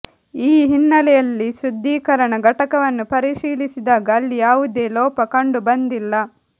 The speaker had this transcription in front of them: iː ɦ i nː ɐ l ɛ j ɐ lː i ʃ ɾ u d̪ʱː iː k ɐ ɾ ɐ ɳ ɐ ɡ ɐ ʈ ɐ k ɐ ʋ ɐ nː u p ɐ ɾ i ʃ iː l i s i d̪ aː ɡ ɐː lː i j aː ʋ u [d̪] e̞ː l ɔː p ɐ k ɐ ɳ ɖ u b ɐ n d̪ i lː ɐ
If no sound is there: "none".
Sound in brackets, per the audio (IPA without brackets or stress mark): d̪